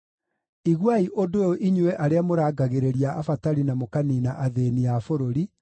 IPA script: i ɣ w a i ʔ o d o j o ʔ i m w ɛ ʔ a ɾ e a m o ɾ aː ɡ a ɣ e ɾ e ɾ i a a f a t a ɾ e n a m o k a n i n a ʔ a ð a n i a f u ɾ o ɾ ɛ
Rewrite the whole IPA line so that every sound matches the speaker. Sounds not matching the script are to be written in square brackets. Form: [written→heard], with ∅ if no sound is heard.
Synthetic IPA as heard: i ɣ w a i ʔ o d o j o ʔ i [m→ɲ] w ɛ ʔ a ɾ e a m o ɾ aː ɡ a ɣ e ɾ e ɾ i a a f a t a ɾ [e→i] n a m o k a n i n a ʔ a ð [a→e] n i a f [u→o] ɾ o ɾ [ɛ→i]

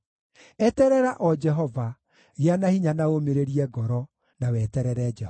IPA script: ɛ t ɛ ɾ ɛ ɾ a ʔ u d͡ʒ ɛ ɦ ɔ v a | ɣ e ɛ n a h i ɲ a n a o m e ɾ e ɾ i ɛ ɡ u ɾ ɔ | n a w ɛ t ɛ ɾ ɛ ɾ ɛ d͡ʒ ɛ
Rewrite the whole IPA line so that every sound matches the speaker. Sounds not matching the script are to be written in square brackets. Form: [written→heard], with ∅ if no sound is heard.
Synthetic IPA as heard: ɛ t ɛ ɾ ɛ ɾ a ʔ [u→ɔ] d͡ʒ ɛ ɦ ɔ v a | ɣ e [ɛ→a] n a h i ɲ a n a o m e ɾ e ɾ i ɛ ɡ [u→ɔ] ɾ ɔ | n a w ɛ t ɛ ɾ ɛ ɾ ɛ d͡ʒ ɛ

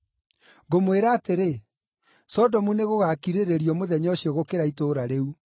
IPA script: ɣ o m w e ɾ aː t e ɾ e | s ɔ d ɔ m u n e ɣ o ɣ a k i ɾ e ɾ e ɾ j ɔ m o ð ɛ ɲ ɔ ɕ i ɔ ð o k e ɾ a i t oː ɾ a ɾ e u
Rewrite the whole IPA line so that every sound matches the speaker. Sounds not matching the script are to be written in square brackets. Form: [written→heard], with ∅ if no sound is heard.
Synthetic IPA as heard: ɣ o m w e ɾ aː t e ɾ e | s ɔ d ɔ m u n e ɣ o ɣ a k i ɾ e ɾ e ɾ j ɔ m o ð ɛ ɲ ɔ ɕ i ɔ [ð→ɣ] o k e ɾ a i t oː ɾ a ɾ e u

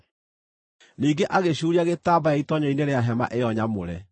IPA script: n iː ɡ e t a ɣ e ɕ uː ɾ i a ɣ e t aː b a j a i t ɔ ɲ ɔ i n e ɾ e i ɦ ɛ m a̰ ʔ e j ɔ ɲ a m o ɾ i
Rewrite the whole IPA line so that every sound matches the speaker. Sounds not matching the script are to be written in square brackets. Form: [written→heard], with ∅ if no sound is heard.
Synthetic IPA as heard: n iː ɡ e [t→ʔ] a ɣ e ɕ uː ɾ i a ɣ e t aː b a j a i t ɔ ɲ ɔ i n e ɾ e [i→a] ɦ ɛ m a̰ ʔ e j ɔ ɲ a m o ɾ [i→ɛ]

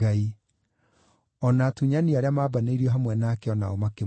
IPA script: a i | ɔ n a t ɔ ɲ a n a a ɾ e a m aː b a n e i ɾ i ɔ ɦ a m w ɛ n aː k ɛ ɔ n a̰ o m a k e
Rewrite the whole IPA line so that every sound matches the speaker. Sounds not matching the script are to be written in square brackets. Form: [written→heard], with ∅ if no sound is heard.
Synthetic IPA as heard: a i | ɔ n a t [ɔ→u] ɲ a n [a→i] a ɾ e a m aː b a n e i ɾ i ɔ ɦ a m w ɛ n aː k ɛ ɔ n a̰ o m a k e

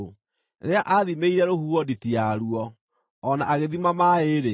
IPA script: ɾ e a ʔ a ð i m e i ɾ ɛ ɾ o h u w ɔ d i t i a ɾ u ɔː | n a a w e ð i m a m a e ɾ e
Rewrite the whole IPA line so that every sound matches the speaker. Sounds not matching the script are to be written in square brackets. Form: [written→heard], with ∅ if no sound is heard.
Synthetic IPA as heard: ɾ e a ʔ a ð i m e i ɾ ɛ ɾ o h u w ɔ d i t i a ɾ u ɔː | n a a [w→ɣ] e ð i m a m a e ɾ e

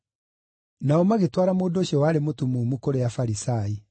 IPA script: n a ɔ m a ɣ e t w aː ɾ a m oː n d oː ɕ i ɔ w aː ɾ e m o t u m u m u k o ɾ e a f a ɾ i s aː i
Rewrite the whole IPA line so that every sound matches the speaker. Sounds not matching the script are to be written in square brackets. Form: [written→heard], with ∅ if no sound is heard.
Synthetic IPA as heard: n a ɔ m a ɣ e t w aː ɾ a m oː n d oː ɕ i ɔ w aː ɾ e m o t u m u m u k o ɾ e a f a ɾ i s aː i

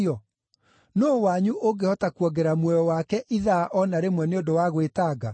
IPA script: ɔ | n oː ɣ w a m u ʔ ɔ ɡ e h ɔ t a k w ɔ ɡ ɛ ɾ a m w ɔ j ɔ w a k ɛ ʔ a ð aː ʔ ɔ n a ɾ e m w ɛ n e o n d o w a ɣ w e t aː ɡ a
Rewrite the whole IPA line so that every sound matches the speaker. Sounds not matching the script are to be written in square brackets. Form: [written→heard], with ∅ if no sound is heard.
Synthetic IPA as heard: ɔ | n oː [ɣ→∅] w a [m→ɲ] u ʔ [ɔ→o] ɡ e h ɔ t a k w ɔ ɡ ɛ ɾ a m w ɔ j ɔ w a k ɛ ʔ [a→i] ð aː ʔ ɔ n a ɾ e m w ɛ n e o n d o w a ɣ w e t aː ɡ a

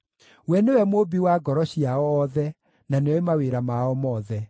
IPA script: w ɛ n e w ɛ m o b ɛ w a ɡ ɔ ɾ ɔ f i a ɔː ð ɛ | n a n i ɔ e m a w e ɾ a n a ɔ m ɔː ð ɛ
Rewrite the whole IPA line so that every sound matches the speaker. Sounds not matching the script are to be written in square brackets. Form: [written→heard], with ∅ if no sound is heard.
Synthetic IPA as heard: w ɛ n e w ɛ m o b [ɛ→i] w a ɡ ɔ ɾ ɔ [f→ɕ] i a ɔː ð ɛ | n a n [i→e] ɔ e m a w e ɾ a [n→m] a ɔ m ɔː ð ɛ

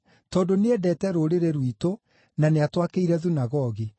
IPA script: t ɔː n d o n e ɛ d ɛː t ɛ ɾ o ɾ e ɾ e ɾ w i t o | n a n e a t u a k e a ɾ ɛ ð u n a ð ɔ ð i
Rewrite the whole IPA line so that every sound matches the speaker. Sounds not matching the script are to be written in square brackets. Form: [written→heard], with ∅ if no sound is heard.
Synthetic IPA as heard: t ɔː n d o n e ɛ d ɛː t ɛ ɾ o ɾ e ɾ e ɾ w i t o | n a n e a t [u→w] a k e [a→i] ɾ ɛ ð u n a [ð→ɣ] ɔ [ð→ɣ] i

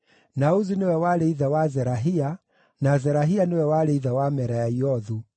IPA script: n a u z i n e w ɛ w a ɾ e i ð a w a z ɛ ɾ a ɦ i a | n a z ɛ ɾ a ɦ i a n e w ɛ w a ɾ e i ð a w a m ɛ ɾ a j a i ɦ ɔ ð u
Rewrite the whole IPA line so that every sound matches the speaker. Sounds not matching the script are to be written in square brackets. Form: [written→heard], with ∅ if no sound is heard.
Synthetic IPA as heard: n a u z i n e w ɛ w a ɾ e i ð a w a z ɛ ɾ a ɦ i a | n a z ɛ ɾ a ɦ i a n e w ɛ w a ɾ e i ð a w a m ɛ ɾ a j a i [ɦ→∅] ɔ ð u

